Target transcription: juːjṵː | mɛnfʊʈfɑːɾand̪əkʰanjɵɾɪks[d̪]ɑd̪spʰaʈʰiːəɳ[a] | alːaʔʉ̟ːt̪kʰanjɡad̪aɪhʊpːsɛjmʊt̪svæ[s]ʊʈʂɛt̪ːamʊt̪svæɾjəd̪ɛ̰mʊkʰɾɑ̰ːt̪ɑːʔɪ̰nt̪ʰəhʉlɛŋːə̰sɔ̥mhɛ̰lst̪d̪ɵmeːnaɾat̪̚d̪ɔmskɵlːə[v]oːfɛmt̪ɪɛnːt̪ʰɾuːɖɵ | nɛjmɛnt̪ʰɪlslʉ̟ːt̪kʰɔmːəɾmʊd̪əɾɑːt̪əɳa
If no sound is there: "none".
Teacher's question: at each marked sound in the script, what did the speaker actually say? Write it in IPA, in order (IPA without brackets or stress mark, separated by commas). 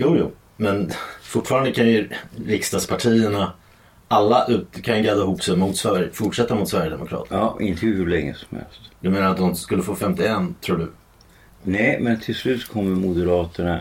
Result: t̪, a, f, f